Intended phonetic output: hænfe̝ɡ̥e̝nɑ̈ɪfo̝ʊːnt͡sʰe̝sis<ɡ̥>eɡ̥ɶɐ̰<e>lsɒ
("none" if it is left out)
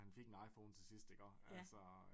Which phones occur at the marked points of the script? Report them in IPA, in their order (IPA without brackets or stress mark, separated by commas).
d̥, æ